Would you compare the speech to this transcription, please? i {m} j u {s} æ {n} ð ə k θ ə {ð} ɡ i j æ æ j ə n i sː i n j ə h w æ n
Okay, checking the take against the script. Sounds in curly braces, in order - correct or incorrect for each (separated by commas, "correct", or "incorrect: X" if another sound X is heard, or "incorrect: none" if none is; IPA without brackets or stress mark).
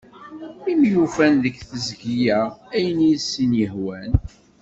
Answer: correct, incorrect: f, correct, incorrect: z